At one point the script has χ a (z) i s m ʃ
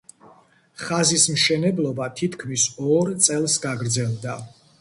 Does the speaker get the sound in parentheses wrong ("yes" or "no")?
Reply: no